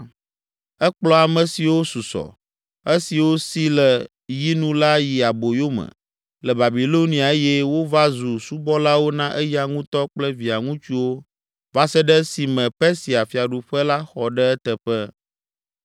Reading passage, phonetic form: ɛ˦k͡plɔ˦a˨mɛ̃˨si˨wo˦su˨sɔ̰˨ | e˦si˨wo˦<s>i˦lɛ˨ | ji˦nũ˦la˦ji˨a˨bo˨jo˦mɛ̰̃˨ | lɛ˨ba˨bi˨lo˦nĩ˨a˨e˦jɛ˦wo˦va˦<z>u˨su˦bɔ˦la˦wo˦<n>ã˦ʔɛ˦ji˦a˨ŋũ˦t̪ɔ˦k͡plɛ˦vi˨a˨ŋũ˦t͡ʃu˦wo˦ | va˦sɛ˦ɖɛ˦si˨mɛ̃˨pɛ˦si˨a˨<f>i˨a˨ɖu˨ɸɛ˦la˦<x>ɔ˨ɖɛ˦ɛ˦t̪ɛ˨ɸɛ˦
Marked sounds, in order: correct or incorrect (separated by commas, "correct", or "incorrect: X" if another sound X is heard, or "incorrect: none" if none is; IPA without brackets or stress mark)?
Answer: correct, correct, correct, correct, correct